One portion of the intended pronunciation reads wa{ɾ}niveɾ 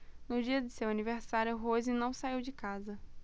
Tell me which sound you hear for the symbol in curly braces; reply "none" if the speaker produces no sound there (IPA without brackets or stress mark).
none